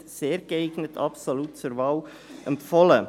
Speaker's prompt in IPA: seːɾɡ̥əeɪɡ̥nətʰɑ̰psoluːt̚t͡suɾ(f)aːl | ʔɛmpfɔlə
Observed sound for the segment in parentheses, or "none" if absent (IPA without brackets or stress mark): v